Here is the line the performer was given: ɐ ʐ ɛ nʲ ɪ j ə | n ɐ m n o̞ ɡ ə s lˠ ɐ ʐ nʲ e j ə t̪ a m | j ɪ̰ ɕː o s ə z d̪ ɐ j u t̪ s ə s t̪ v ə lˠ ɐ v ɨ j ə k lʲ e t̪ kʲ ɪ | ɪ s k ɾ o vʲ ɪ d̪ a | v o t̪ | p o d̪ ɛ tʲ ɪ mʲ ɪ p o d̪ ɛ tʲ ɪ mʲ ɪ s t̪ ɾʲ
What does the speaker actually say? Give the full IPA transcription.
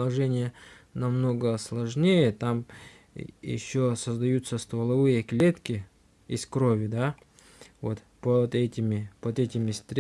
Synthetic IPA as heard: ɐ ʐ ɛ nʲ ɪ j ə | n ɐ m n o̞ ɡ ə s lˠ ɐ ʐ nʲ e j ə t̪ a m | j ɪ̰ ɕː o s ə z d̪ ɐ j u t̪ s ə s t̪ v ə lˠ ɐ v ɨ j ə k lʲ e t̪ kʲ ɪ | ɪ s k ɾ o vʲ ɪ d̪ a | v o t̪ | p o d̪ ɛ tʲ ɪ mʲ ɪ p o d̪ ɛ tʲ ɪ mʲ ɪ s t̪ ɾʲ